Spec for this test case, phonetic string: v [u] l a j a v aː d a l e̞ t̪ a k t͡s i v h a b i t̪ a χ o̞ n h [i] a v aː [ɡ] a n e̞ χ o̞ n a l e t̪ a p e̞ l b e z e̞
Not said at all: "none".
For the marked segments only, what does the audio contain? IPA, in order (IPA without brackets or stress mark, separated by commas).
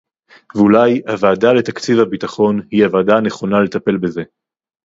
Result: u, i, d